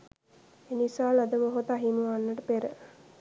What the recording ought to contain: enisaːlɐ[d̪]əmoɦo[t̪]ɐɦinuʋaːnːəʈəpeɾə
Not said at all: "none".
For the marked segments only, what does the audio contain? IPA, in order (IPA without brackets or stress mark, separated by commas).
d̪, t̪